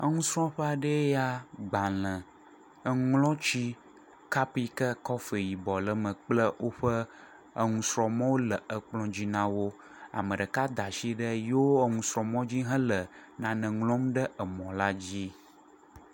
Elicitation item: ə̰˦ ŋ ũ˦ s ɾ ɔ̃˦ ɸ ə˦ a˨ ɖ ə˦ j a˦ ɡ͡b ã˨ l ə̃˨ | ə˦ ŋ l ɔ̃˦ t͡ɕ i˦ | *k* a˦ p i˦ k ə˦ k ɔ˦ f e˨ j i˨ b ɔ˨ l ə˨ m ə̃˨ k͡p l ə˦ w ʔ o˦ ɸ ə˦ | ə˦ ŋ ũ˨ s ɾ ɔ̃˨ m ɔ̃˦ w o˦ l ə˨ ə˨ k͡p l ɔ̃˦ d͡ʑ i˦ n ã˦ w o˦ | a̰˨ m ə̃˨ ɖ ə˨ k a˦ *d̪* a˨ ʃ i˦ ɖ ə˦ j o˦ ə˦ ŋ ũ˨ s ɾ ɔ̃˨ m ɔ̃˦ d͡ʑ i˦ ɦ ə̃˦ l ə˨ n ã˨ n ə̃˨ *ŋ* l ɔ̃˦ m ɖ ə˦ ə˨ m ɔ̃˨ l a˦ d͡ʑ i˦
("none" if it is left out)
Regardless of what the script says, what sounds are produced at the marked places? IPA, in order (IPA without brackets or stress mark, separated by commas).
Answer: k, d̪, ŋ